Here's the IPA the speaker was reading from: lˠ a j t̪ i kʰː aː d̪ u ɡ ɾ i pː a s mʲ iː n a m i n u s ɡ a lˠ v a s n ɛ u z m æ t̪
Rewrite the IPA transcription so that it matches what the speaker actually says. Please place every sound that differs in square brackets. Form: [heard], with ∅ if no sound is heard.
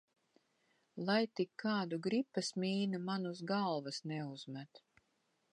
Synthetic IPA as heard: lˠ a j t̪ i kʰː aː d̪ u ɡ ɾ i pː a s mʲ iː n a m [a] n u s ɡ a lˠ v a s n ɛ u z m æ t̪